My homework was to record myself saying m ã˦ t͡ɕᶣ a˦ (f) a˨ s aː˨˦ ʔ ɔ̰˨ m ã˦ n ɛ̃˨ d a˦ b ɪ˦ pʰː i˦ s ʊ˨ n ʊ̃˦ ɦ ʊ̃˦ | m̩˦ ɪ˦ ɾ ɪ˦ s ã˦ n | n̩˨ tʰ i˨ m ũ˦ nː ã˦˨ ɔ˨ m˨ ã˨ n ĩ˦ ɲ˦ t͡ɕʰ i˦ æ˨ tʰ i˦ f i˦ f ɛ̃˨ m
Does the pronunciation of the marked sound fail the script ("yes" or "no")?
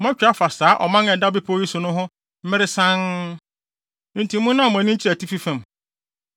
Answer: no